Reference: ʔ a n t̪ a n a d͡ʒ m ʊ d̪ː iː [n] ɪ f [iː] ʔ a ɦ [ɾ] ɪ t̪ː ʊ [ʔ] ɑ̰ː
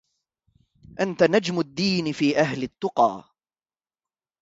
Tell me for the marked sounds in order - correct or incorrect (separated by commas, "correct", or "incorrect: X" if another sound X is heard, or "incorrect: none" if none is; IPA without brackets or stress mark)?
correct, correct, incorrect: l, incorrect: q